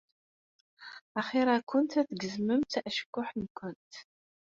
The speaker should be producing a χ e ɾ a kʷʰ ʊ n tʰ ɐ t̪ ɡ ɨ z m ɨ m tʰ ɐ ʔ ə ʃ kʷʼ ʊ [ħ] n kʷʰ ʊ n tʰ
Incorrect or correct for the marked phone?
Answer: correct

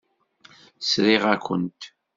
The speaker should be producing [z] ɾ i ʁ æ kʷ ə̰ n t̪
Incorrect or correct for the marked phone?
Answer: incorrect: s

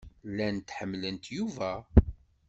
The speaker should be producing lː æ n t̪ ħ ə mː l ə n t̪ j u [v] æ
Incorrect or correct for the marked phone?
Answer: correct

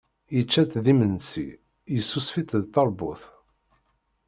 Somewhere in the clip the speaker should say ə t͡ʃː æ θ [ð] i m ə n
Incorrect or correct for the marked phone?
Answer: correct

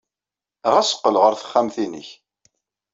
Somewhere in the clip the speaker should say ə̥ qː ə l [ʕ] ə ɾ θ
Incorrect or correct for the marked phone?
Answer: incorrect: ʁ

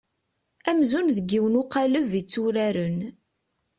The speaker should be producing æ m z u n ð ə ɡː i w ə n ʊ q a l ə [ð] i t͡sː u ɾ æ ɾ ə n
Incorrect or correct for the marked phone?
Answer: incorrect: v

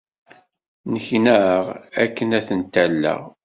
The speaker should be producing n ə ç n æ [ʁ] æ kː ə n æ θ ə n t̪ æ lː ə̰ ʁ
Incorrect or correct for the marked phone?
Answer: correct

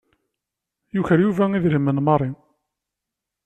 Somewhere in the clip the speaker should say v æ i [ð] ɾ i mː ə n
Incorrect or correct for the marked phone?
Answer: correct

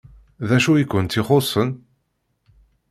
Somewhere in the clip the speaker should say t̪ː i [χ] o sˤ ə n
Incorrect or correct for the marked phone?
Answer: correct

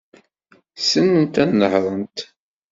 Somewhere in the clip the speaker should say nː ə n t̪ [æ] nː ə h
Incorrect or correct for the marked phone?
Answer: correct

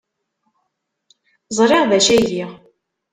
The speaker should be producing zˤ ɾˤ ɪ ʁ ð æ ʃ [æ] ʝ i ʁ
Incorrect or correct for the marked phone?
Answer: correct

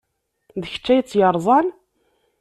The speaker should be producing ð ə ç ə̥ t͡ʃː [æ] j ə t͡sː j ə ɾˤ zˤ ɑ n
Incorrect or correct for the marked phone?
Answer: correct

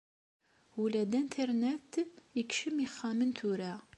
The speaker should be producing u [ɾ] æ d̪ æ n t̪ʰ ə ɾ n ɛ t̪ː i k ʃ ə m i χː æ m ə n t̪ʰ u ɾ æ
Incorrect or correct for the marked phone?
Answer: incorrect: l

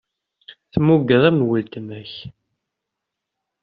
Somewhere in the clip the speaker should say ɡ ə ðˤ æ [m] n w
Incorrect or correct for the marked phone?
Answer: correct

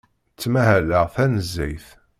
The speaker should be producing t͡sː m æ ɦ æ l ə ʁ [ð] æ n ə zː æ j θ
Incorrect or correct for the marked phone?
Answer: incorrect: θ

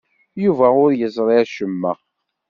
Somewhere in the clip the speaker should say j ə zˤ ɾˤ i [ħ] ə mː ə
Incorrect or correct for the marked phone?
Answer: incorrect: ʃ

